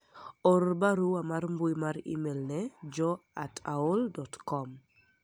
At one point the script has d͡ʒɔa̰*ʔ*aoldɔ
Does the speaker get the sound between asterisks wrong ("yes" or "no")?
yes